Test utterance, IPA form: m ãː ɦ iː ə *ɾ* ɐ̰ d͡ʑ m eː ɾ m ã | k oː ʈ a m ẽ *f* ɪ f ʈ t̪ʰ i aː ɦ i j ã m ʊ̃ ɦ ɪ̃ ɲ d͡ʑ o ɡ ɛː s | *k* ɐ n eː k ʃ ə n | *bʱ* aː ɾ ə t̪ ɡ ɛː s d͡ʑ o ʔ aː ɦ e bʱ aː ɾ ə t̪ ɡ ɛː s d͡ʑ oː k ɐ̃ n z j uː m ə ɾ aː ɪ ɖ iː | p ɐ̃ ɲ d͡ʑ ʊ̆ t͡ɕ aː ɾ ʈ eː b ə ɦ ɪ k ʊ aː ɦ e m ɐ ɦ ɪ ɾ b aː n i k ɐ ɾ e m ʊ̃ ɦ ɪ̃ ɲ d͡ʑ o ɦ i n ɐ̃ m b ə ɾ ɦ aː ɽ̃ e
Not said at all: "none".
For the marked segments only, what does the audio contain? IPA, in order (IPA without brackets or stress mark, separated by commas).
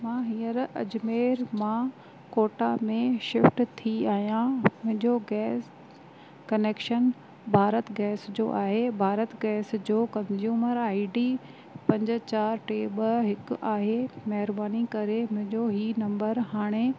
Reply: ɾ, ʃ, k, bʱ